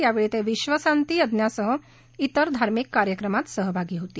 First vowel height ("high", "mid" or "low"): low